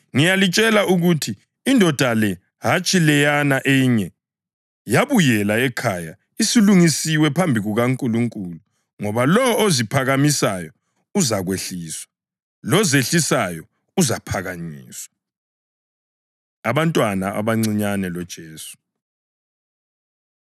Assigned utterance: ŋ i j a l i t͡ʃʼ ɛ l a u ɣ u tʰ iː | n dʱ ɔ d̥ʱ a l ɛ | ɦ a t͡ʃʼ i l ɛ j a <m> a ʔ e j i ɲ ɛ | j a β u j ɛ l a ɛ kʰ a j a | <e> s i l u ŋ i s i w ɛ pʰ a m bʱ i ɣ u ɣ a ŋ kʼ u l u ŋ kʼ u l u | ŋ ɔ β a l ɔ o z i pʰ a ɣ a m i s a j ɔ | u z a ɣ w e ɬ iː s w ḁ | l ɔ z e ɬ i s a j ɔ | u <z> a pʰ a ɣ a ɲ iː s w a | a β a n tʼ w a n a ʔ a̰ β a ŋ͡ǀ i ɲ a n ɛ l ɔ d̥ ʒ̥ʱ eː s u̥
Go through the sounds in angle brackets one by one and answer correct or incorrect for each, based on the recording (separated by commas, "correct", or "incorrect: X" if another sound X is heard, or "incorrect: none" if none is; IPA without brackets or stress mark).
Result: incorrect: n, incorrect: i, correct